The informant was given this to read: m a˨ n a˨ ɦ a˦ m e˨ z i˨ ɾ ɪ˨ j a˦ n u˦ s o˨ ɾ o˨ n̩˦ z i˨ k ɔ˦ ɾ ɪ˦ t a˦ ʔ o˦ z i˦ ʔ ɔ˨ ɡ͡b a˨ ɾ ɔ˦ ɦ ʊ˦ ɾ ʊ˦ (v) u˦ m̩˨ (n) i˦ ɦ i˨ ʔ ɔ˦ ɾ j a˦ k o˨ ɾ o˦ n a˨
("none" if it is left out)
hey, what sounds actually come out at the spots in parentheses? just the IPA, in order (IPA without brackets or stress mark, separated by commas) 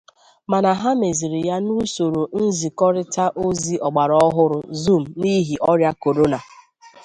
z, n